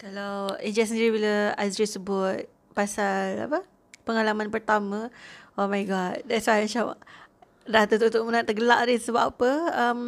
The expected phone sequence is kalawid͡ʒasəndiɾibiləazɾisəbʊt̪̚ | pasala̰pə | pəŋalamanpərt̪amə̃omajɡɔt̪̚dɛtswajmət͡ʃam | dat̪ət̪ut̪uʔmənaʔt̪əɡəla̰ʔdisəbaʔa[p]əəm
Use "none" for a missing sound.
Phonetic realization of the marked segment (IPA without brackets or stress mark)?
p